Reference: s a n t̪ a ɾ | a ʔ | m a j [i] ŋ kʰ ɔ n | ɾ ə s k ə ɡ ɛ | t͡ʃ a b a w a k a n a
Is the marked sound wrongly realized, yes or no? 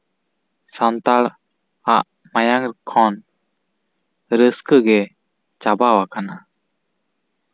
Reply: yes